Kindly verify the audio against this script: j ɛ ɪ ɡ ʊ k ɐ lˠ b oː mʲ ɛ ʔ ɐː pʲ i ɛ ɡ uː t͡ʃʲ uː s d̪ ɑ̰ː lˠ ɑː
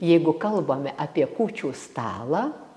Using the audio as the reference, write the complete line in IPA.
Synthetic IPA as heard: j ɛ ɪ ɡ ʊ k ɐ lˠ b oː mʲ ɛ ʔ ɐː pʲ i ɛ k uː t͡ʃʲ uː s t̪ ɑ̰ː lˠ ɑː

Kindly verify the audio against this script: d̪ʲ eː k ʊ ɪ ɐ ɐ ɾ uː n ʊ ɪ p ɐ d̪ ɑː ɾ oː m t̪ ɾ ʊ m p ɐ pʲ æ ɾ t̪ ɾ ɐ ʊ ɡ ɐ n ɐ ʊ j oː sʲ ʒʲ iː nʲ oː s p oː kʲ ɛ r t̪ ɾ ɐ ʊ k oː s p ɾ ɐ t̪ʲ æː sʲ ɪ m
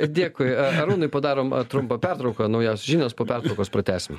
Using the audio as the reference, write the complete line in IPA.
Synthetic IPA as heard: d̪ʲ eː k ʊ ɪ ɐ ɐ ɾ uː n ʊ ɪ p ɐ d̪ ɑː ɾ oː m t̪ ɾ ʊ m p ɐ pʲ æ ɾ t̪ ɾ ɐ ʊ k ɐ n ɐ ʊ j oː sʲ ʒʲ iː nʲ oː s p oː pʲ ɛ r t̪ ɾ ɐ ʊ k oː s p ɾ ɐ t̪ʲ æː sʲ ɪ m

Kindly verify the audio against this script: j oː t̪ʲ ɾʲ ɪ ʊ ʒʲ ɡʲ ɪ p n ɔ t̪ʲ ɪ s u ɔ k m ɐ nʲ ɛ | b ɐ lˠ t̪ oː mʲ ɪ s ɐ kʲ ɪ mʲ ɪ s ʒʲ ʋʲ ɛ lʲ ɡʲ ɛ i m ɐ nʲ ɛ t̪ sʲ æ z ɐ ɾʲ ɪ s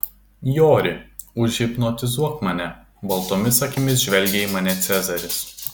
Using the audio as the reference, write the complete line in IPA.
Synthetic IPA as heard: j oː ɾʲ ɪ ʊ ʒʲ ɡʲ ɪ p n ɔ t̪ʲ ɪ z u ɔ k m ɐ nʲ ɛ | b ɐ lˠ t̪ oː mʲ ɪ s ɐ kʲ ɪ mʲ ɪ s ʒʲ ʋʲ ɛ lʲ ɡʲ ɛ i m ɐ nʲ ɛ t̪ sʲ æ z ɐ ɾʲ ɪ s

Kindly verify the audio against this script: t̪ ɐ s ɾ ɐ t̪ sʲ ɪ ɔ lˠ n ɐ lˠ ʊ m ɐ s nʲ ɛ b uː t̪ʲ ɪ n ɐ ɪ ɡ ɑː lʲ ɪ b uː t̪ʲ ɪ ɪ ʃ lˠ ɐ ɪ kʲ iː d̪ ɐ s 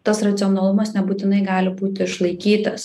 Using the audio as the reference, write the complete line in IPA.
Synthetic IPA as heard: t̪ ɐ s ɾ ɐ t̪ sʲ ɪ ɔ n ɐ lˠ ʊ m ɐ s nʲ ɛ b uː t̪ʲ ɪ n ɐ ɪ ɡ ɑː lʲ ɪ b uː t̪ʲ ɪ ɪ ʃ lˠ ɐ ɪ kʲ iː t̪ ɐ s

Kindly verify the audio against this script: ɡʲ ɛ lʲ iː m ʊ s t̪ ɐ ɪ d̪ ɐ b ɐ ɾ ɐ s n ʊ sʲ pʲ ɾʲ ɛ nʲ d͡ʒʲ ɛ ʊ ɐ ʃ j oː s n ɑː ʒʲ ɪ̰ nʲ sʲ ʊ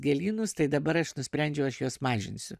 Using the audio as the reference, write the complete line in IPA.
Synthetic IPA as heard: ɡʲ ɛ lʲ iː n ʊ s t̪ ɐ ɪ d̪ ɐ b ɐ ɾ ɐ ʃ n ʊ sʲ pʲ ɾʲ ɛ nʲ d͡ʒʲ ɛ ʊ ɐ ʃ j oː s m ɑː ʒʲ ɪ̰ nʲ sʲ ʊ

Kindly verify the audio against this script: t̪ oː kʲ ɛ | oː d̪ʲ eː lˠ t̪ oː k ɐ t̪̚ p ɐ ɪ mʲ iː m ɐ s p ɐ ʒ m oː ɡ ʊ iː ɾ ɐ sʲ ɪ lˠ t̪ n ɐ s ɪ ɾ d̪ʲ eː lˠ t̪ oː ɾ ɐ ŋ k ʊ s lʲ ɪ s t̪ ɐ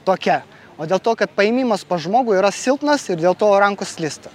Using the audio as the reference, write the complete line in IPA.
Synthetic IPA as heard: t̪ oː kʲ ɛ | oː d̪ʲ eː lˠ t̪ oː k ɐ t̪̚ p ɐ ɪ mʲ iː m ɐ s p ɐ ʒ m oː ɡ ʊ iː ɾ ɐ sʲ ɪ lˠ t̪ n ɐ s ɪ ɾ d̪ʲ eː lˠ t̪ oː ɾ ɐ ŋ k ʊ s lʲ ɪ s t̪ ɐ

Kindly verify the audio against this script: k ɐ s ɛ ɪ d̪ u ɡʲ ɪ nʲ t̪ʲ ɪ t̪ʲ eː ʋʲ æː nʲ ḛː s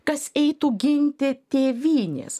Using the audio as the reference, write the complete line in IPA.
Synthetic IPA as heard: k ɐ s ɛ ɪ t̪ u ɡʲ ɪ nʲ t̪ʲ ɪ t̪ʲ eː ʋʲ iː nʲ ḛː s

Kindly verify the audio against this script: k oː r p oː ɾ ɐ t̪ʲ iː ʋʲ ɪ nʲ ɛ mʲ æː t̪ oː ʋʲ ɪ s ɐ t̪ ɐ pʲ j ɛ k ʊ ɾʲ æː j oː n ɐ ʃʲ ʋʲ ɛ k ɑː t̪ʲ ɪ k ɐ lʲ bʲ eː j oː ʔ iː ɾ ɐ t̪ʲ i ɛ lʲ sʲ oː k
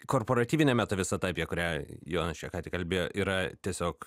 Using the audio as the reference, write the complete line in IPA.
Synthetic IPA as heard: k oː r p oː ɾ ɐ t̪ʲ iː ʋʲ ɪ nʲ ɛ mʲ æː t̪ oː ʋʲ ɪ s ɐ t̪ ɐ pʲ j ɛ k ʊ ɾʲ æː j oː n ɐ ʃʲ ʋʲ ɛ k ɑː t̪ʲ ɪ k ɐ lʲ bʲ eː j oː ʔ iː ɾ ɐ t̪ʲ i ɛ sʲ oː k

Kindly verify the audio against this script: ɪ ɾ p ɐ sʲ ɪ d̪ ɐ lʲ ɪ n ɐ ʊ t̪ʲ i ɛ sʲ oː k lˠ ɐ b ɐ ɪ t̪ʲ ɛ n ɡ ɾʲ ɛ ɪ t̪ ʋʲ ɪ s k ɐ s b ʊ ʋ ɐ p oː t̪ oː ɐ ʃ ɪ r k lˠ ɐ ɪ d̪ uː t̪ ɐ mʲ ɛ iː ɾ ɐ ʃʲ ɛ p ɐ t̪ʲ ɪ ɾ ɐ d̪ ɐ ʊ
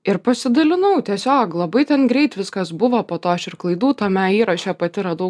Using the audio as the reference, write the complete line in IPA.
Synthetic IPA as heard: ɪ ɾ p ɐ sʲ ɪ d̪ ɐ lʲ ɪ n ɐ ʊ t̪ʲ i ɛ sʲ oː k lˠ ɐ b ɐ ɪ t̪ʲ ɛ n ɡ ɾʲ ɛ ɪ t̪ ʋʲ ɪ s k ɐ s b ʊ ʋ ɐ p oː t̪ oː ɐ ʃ ɪ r k lˠ ɐ ɪ d̪ uː t̪ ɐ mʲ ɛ iː ɾ ɐ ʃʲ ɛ p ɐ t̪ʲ ɪ ɾ ɐ d̪ ɐ ʊ

